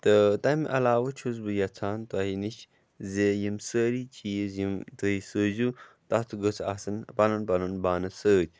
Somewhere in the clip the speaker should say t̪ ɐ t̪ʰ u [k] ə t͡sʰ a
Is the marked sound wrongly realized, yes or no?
yes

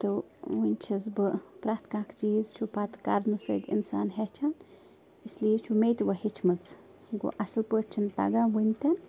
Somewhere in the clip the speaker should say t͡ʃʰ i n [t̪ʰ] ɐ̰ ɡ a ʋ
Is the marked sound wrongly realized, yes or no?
yes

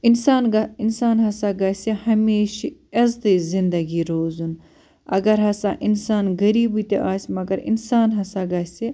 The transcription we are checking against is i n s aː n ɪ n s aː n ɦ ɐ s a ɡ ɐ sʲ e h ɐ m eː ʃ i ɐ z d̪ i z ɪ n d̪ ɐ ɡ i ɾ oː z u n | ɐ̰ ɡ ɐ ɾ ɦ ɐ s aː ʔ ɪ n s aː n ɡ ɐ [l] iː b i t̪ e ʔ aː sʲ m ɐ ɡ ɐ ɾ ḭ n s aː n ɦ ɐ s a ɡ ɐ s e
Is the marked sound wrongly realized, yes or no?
yes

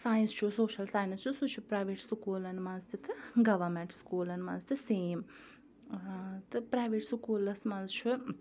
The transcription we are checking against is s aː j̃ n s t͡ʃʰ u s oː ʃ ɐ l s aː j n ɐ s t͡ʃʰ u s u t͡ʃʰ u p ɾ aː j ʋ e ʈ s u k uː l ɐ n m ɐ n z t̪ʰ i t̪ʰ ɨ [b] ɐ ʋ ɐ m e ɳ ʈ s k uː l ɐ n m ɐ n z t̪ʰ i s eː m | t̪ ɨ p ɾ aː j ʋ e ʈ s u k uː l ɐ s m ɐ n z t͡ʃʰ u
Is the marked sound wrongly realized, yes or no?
yes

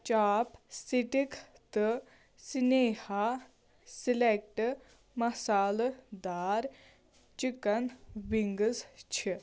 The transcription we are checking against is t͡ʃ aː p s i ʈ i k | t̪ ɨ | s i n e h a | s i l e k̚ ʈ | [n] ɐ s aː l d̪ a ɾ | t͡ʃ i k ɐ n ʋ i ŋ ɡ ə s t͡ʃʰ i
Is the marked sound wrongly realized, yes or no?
yes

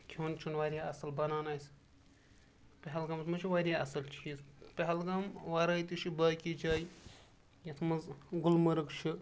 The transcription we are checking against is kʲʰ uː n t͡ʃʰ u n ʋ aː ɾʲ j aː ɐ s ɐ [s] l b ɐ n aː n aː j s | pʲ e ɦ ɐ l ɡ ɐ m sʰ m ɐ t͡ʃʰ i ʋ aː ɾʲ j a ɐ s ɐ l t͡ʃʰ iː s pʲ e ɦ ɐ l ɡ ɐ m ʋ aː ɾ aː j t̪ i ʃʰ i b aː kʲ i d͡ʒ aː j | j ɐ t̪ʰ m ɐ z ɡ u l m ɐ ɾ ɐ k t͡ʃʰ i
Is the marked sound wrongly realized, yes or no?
yes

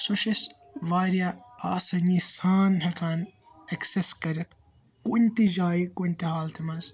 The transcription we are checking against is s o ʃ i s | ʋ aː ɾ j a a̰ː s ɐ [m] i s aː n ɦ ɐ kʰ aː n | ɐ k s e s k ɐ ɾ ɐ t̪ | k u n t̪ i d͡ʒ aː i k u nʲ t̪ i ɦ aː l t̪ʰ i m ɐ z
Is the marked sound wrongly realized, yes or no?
yes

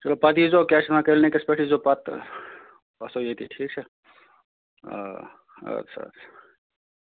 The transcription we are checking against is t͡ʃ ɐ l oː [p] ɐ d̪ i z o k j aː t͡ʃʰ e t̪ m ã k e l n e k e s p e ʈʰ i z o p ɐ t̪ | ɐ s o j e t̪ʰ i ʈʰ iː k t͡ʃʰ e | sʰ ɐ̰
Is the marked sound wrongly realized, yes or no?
no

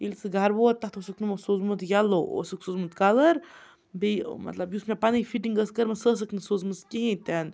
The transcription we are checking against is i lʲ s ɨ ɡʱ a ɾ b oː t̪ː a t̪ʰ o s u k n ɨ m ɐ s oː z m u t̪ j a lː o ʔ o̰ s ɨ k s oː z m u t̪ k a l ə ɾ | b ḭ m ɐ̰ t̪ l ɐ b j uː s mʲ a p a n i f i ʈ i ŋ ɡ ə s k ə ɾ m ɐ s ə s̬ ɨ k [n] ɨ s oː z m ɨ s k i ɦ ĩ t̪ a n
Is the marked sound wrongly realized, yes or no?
no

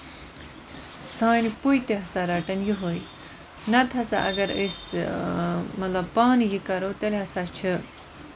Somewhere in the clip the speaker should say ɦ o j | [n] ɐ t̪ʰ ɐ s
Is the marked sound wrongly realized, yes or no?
no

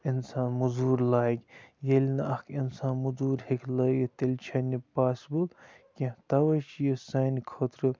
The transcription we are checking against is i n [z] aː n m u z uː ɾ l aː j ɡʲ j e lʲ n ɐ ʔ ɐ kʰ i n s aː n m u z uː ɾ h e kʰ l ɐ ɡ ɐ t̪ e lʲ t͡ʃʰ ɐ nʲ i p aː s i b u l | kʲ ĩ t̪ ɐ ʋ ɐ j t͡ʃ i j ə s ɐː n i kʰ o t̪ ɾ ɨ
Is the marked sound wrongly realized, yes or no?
yes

